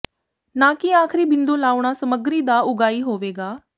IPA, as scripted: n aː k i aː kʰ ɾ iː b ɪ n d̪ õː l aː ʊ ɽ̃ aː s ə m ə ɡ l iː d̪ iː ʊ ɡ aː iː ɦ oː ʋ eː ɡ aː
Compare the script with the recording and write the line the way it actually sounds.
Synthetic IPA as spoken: n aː k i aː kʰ ɾ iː b ɪ n d̪ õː l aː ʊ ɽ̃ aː s ə m ə ɡ ɾ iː d̪ aː ʊ ɡ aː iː ɦ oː ʋ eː ɡ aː